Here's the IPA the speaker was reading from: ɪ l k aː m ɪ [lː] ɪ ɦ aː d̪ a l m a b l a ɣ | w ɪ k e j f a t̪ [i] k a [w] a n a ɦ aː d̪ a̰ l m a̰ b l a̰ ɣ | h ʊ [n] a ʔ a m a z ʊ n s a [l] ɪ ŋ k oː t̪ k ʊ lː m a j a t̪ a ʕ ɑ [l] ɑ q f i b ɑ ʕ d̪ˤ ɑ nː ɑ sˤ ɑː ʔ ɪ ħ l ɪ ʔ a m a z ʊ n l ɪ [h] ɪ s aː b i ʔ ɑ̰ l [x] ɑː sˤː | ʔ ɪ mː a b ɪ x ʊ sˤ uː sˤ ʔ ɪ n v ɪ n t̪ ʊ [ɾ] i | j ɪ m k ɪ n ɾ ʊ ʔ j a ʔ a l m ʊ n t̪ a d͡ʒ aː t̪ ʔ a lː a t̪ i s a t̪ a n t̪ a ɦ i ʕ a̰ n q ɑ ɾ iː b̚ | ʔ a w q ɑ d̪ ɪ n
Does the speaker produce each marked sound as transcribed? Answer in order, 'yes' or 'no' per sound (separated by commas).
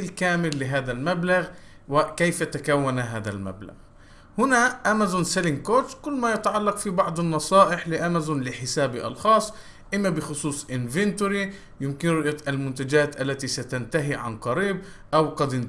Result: yes, no, no, yes, yes, no, no, yes, yes